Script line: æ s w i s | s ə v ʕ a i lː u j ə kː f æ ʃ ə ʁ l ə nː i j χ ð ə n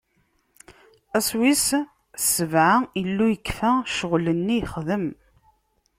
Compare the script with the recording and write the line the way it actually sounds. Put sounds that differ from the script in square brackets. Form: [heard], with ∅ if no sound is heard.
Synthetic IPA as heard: æ s w i s | s ə v ʕ a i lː u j ə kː f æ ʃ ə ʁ l ə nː i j χ ð ə [m]